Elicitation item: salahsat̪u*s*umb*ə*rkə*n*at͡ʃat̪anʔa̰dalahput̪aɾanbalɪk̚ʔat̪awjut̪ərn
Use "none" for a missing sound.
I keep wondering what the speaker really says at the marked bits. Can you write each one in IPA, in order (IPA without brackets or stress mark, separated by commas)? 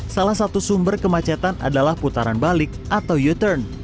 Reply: s, ə, m